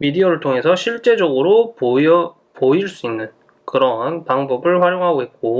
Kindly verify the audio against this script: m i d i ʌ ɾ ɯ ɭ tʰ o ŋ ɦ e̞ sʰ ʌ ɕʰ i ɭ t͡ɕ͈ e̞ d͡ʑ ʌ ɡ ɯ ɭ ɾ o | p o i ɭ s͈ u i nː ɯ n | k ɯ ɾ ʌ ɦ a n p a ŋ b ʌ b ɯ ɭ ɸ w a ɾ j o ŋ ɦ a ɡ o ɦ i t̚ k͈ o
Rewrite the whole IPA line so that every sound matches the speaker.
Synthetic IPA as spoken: m i d i ʌ ɾ ɯ ɭ tʰ o ŋ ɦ e̞ sʰ ʌ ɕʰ i ɭ t͡ɕ͈ e̞ d͡ʑ ʌ ɡ ɯ ɾ o | p o i ɭ s͈ u i nː ɯ n | k ɯ ɾ ʌ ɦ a n p a ŋ b ʌ b ɯ ɭ ɸ w a ɾ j o ŋ ɦ a ɡ o ɦ e t̚ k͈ o